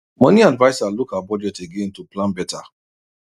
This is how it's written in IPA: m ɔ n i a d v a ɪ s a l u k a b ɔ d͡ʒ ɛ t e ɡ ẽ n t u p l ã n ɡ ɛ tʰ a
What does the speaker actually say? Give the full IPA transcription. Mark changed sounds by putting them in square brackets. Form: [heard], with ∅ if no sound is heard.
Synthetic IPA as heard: m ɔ n i a d v a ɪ s a l u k a b ɔ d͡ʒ ɛ t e ɡ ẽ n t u p l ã n [b] ɛ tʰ a